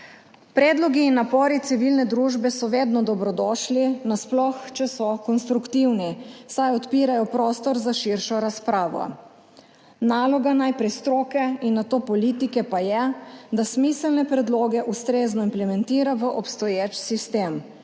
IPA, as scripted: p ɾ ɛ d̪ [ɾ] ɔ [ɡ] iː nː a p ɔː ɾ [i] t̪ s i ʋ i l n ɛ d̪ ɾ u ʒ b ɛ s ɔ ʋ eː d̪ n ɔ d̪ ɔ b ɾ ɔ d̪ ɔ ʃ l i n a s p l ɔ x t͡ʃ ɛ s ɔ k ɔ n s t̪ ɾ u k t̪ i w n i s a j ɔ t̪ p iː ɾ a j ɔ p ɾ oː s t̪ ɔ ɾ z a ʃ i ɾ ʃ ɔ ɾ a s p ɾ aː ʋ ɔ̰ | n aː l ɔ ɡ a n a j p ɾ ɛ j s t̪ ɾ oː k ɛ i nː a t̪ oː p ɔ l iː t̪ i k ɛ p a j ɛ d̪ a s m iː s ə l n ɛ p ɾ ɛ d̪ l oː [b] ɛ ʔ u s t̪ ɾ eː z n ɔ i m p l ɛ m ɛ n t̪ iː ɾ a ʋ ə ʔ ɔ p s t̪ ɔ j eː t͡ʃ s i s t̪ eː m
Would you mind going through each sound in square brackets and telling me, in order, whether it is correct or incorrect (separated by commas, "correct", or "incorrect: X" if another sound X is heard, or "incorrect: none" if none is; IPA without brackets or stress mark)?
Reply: incorrect: l, correct, correct, incorrect: ɡ